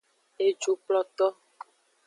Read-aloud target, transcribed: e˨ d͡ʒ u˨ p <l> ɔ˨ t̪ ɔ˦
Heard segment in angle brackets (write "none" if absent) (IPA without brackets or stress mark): l